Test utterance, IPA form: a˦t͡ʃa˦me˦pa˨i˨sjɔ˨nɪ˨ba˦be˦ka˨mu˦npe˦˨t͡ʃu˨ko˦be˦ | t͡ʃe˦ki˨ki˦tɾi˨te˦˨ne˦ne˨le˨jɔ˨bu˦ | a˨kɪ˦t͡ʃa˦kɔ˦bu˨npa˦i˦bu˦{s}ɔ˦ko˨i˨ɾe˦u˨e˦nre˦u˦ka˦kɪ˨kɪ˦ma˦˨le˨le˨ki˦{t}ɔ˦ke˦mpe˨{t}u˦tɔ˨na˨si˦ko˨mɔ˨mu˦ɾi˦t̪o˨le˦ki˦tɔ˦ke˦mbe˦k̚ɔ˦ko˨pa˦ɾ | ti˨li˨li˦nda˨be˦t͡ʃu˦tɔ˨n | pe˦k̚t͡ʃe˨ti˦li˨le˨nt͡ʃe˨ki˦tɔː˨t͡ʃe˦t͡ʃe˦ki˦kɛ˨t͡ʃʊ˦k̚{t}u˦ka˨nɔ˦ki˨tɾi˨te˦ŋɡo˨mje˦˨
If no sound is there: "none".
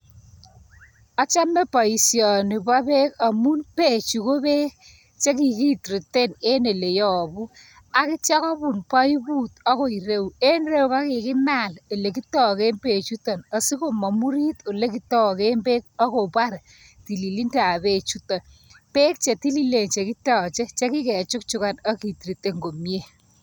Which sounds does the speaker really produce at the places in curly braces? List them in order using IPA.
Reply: t, t, t͡ʃ, t͡ʃ

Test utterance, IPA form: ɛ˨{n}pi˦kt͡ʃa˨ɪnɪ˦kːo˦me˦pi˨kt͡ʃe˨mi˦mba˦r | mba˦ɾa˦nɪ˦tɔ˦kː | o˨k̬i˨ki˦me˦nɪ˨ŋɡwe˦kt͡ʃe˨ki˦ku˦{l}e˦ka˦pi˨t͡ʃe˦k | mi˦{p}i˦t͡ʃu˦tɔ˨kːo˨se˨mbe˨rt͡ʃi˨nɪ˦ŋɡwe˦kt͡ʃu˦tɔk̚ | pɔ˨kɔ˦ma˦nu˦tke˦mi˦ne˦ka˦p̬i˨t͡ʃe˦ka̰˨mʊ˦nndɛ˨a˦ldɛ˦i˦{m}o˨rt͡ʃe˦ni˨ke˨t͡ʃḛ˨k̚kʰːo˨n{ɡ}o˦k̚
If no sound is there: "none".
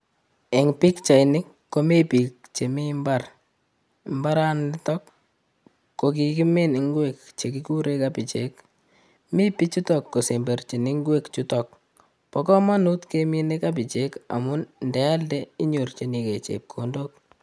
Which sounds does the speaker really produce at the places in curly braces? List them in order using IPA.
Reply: ŋ, ɾ, p, ɲ, d

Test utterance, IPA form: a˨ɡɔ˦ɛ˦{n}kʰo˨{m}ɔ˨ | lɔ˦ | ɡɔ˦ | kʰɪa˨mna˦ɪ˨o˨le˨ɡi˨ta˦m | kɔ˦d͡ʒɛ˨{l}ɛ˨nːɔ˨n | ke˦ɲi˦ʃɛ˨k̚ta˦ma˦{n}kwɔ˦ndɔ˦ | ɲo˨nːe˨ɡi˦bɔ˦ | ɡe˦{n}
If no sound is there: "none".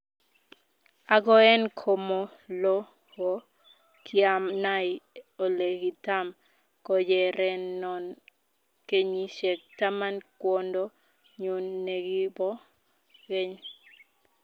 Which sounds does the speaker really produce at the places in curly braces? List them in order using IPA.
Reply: n, m, ɾ, n, ɲ

